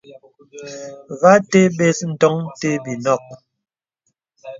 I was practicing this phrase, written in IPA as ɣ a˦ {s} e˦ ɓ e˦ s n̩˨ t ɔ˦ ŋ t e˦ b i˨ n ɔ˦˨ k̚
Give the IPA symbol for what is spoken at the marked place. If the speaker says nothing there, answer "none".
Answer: t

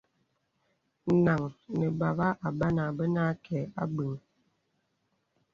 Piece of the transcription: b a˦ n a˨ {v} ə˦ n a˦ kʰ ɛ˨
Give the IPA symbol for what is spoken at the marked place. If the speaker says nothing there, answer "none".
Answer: b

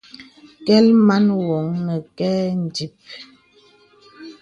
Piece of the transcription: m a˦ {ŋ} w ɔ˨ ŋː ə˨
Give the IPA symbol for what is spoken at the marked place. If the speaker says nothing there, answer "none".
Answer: n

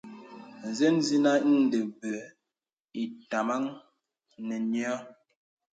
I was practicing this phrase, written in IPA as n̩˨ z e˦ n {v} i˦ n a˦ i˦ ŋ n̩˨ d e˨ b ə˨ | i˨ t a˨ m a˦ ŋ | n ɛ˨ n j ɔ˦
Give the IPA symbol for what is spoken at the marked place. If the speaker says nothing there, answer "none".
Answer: z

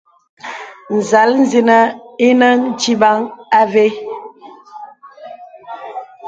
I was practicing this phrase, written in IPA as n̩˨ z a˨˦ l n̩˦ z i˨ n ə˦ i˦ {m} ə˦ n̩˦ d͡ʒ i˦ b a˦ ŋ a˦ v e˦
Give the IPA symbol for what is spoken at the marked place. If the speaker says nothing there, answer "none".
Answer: n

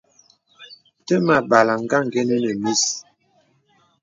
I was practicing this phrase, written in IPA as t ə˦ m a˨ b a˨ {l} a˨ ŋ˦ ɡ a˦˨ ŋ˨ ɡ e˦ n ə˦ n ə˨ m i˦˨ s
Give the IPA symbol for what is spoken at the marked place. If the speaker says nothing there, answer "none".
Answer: l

